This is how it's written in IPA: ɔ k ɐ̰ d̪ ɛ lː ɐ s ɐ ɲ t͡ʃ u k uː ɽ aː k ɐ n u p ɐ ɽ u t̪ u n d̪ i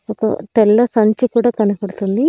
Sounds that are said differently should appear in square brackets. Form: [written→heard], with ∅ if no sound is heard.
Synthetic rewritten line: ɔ k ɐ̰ [d̪→t̪] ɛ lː ɐ s ɐ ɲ t͡ʃ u k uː ɽ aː k ɐ n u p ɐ ɽ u t̪ u n d̪ i